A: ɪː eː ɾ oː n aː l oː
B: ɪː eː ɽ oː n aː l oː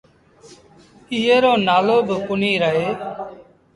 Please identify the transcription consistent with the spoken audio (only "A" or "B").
A